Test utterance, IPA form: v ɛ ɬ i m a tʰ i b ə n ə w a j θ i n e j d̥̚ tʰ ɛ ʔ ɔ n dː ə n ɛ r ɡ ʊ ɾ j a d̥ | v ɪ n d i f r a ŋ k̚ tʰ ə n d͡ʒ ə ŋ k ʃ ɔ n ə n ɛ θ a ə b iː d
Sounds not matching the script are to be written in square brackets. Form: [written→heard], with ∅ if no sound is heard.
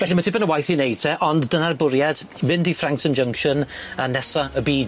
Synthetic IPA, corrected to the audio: v ɛ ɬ i m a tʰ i b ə n ə w a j θ i n e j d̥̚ tʰ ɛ ʔ ɔ n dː ə n [ɛ→a] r [ɡ→b] ʊ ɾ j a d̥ | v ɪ n d i f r a ŋ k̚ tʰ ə n d͡ʒ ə ŋ k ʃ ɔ n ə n ɛ [θ→s] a ə b iː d